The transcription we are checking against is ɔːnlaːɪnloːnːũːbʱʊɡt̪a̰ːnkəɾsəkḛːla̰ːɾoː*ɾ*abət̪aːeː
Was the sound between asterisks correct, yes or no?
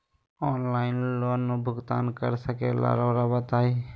yes